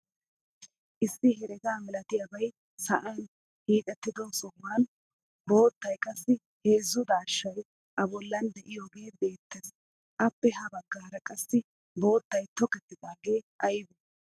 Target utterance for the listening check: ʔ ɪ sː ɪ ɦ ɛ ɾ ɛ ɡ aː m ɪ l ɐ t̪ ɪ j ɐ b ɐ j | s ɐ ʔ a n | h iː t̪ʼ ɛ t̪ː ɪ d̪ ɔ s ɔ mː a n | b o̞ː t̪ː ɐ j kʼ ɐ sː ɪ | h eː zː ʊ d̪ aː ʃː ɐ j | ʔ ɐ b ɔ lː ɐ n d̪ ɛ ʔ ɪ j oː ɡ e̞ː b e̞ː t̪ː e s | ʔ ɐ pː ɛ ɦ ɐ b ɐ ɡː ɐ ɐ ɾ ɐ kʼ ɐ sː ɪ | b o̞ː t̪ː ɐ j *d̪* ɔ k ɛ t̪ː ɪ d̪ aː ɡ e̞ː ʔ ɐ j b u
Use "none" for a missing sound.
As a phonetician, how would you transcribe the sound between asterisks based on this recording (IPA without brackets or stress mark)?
t̪